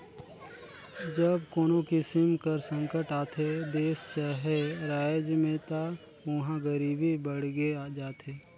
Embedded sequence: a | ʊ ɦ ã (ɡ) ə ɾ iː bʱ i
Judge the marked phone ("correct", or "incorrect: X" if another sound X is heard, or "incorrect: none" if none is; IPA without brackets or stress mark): correct